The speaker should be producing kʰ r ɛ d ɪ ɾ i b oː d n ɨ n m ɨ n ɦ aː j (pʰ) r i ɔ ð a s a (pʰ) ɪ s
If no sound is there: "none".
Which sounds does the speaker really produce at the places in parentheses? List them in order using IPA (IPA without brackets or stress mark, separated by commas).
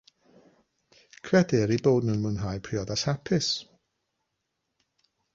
pʰ, pʰ